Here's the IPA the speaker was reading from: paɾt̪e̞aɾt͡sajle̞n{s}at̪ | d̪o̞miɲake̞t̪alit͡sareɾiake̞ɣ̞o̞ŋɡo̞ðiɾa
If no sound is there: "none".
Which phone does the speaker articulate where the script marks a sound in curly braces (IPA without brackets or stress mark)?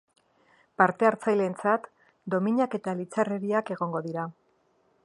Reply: t͡s